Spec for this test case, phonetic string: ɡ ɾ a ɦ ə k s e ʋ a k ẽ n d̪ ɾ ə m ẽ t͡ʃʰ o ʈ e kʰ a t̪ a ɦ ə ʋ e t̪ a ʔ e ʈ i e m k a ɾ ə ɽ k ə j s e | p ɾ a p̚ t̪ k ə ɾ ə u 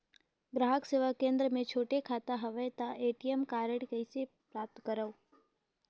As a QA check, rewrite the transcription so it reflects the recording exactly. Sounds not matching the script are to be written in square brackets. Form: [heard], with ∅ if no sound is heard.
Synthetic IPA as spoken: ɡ ɾ a ɦ ə k s e ʋ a k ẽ n d̪ ɾ ə m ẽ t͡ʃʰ o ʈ e kʰ a t̪ a ɦ ə ʋ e t̪ a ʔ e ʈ i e m k a ɾ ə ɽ k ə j s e | p ɾ a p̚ t̪ k ə ɾ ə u